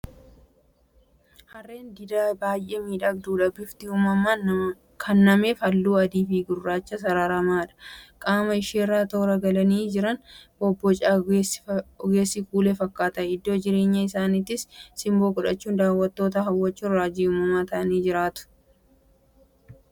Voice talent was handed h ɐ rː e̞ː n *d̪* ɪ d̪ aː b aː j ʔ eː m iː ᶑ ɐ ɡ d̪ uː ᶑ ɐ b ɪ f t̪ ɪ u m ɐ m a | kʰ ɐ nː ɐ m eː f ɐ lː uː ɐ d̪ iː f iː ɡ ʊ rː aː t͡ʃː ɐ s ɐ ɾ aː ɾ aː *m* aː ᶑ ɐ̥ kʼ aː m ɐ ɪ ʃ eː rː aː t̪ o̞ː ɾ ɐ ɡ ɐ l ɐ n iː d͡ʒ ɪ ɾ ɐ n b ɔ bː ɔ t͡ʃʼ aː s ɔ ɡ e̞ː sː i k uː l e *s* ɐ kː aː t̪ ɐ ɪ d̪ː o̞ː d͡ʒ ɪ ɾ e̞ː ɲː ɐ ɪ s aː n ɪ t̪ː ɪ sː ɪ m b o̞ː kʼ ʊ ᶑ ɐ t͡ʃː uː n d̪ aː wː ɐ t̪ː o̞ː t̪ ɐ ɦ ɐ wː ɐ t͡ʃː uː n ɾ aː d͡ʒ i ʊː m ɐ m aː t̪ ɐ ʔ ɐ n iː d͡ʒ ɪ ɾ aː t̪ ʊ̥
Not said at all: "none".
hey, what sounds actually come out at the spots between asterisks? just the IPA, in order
d̪, m, f

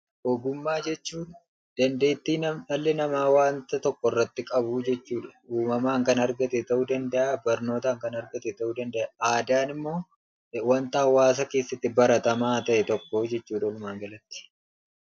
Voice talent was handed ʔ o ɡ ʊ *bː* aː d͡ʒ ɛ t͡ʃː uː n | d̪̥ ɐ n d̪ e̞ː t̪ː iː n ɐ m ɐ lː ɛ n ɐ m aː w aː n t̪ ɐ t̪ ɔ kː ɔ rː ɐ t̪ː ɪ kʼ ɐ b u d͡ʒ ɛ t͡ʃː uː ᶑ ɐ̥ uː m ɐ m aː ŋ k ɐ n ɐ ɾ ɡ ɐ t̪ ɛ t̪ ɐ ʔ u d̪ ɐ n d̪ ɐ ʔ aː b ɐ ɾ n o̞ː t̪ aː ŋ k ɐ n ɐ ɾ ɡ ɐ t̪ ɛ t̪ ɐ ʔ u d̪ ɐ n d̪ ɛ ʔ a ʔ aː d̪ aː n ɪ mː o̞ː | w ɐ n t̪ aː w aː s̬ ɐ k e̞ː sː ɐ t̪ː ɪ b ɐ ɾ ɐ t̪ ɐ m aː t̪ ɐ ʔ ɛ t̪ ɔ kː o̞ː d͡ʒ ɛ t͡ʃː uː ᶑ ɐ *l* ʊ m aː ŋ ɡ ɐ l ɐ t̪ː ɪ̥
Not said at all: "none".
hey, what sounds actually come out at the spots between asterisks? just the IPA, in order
mː, l

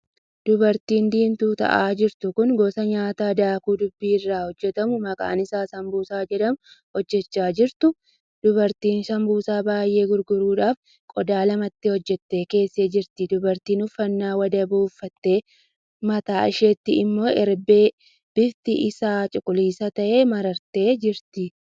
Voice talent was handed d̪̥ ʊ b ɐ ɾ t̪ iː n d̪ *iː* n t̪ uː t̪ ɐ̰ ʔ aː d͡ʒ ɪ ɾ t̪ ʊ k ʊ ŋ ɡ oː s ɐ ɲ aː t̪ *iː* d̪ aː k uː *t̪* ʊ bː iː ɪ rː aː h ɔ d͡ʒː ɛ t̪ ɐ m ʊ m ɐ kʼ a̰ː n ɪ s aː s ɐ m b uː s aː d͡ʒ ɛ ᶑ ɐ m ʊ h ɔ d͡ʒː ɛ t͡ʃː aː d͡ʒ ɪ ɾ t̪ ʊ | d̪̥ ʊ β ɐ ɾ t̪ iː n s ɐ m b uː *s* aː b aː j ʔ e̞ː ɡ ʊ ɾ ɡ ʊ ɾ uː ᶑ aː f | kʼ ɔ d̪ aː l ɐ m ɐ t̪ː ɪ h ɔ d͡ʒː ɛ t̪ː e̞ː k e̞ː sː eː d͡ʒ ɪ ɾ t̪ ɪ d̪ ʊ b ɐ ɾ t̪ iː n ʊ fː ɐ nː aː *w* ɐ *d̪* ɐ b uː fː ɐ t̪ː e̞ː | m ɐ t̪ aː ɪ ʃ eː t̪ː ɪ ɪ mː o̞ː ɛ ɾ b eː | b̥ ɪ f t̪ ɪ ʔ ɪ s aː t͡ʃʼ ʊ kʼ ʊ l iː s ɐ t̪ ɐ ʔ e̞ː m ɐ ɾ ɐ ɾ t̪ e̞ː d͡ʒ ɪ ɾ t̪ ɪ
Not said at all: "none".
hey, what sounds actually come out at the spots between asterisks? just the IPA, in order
iː, aː, d̪, s, w, d̪

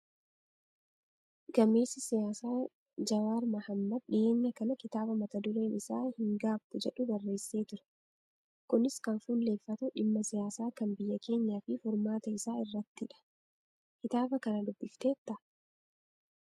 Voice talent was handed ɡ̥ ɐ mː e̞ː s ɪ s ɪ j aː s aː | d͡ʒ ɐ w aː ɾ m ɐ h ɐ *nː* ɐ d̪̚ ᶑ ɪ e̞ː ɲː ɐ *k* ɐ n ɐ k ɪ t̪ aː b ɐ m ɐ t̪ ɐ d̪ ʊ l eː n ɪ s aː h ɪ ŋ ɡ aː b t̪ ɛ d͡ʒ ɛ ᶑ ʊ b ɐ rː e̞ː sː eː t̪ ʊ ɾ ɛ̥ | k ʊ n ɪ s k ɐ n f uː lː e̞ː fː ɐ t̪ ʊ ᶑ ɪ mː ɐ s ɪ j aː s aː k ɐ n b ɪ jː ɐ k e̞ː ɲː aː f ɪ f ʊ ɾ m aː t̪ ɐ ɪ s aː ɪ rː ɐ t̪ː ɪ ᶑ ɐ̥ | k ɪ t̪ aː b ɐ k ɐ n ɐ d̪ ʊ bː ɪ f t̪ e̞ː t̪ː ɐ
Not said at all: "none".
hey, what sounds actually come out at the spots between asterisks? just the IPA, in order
mː, k

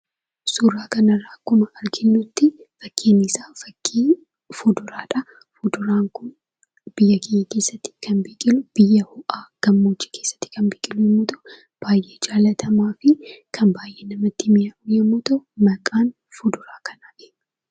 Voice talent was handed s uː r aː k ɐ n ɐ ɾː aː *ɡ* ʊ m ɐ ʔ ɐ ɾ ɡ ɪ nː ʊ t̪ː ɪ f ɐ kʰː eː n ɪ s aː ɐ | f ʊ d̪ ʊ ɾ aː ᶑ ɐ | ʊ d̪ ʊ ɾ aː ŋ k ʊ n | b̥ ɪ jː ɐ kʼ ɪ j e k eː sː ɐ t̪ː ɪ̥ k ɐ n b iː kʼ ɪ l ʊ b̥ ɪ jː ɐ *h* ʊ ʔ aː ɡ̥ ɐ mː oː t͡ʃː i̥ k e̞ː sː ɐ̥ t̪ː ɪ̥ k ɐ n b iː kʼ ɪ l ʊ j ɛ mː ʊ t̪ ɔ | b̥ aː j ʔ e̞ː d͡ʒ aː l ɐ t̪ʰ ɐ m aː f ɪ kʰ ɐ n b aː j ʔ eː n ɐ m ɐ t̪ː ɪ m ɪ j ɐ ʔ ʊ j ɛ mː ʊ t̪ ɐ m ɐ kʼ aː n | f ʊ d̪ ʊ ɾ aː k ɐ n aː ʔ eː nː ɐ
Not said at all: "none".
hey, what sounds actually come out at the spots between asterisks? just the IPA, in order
k, h

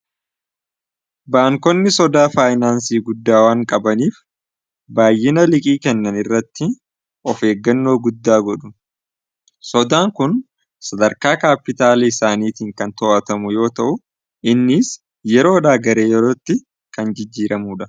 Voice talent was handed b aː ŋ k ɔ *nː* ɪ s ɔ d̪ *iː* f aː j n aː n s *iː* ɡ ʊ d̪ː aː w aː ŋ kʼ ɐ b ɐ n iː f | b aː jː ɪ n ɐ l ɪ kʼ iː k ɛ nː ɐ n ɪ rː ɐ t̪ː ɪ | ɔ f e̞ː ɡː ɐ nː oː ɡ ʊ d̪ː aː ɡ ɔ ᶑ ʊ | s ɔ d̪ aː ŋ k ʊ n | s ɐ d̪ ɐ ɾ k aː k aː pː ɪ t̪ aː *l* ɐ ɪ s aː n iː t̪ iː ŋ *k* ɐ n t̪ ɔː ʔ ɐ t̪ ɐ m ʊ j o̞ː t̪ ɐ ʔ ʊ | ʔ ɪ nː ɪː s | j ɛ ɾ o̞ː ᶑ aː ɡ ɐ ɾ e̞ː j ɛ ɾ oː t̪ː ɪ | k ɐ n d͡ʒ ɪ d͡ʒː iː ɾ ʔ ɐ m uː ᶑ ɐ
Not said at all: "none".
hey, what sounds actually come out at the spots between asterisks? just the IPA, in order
nː, aː, iː, l, k

